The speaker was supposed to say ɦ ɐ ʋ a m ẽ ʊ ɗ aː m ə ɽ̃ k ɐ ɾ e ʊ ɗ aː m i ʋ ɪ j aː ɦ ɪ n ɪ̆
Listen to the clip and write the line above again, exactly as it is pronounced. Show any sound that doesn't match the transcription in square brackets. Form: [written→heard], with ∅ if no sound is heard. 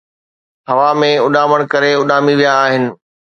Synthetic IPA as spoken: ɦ ɐ ʋ a m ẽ ʊ ɗ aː m ə ɽ̃ k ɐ ɾ e ʊ ɗ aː m i ʋ [ɪ→i] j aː ɦ ɪ n ɪ̆